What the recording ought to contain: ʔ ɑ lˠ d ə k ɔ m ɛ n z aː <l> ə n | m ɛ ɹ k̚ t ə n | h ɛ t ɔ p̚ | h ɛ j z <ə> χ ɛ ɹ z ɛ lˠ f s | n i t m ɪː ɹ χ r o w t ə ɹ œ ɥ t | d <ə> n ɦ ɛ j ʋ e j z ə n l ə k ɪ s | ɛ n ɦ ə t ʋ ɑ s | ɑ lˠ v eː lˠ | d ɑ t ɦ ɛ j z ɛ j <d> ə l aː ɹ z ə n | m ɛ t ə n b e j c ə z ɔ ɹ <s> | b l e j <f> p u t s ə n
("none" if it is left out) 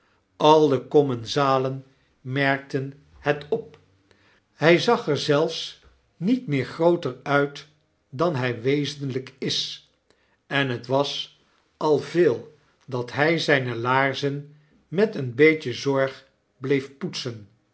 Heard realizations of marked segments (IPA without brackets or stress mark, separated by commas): l, ɑ, ɑ, n, χ, f